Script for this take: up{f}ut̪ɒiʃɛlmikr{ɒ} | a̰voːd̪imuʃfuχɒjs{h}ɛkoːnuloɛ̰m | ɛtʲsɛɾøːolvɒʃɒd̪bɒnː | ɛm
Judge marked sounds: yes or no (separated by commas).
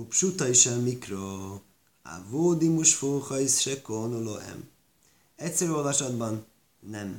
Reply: no, no, no